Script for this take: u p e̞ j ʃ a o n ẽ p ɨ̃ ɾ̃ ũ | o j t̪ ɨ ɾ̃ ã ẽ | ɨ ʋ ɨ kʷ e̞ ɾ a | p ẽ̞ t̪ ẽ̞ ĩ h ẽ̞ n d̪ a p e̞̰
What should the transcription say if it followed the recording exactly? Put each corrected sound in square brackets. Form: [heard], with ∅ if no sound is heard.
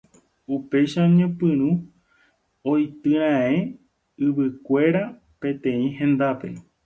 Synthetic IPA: u p e̞ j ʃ a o [ɲ] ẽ p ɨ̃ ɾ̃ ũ | o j t̪ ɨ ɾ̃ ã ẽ | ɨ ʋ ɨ kʷ e̞ ɾ a | p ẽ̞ t̪ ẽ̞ ĩ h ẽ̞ n d̪ a p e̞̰